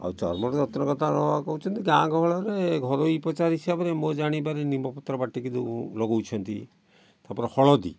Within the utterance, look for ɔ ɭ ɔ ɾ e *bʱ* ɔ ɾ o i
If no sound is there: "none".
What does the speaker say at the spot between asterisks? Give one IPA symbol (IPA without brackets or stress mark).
ɡʱ